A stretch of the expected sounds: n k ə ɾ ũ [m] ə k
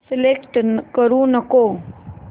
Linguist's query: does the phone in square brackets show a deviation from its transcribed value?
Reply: yes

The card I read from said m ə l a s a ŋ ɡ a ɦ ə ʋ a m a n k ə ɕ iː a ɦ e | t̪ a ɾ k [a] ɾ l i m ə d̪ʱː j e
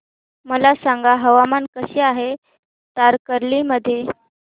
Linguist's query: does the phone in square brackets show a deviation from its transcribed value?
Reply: yes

